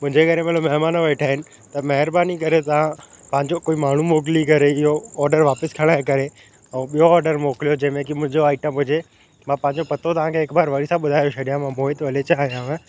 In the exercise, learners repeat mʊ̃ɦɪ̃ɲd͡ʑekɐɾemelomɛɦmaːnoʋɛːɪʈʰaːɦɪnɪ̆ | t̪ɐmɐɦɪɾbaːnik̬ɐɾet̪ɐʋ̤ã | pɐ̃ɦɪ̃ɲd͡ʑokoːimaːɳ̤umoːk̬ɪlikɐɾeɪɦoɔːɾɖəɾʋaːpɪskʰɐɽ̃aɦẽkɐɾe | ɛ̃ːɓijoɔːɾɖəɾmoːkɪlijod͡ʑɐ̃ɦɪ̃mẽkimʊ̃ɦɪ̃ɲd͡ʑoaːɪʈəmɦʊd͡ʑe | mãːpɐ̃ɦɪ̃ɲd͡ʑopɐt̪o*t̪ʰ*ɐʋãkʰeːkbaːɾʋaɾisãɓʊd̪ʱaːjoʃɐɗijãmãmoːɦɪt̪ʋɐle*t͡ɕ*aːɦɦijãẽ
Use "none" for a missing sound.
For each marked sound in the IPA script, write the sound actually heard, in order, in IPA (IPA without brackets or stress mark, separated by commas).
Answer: t̪, t͡ɕ